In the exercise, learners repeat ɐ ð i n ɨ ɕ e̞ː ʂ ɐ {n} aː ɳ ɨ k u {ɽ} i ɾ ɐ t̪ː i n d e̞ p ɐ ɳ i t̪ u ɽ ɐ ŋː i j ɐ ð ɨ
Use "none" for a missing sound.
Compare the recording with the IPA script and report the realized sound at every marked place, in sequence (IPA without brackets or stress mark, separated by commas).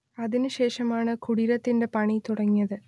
m, ɽ